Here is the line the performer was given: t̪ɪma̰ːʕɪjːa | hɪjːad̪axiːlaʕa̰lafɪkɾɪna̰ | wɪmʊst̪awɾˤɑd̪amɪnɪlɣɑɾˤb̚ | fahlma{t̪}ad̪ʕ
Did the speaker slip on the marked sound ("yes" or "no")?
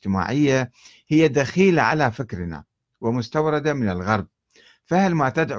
no